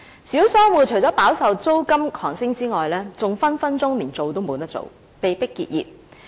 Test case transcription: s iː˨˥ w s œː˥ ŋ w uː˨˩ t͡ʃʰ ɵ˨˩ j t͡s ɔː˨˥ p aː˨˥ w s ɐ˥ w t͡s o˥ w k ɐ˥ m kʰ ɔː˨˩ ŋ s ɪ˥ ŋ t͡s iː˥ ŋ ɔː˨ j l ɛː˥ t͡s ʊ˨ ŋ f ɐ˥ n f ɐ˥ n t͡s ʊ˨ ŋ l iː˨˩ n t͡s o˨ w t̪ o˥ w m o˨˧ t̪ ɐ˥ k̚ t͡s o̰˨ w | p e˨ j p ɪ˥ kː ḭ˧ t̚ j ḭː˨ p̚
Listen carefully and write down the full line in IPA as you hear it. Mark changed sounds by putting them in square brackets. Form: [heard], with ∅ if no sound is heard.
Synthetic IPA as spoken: s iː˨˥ w s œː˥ ŋ w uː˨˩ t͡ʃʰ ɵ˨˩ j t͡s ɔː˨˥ p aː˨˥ w s [ɐ˨] w t͡s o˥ w k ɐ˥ m kʰ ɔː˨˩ ŋ s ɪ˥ ŋ t͡s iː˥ ŋ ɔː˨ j l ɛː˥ t͡s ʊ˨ ŋ f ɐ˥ n f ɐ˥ n t͡s [ʊ˥] ŋ l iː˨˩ n t͡s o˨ w t̪ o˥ w m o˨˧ t̪ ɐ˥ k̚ t͡s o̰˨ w | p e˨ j p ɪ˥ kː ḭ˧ t̚ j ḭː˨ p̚